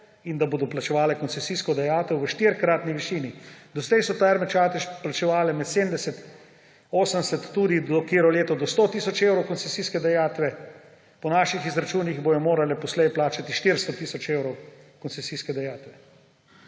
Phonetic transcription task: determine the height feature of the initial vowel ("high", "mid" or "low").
high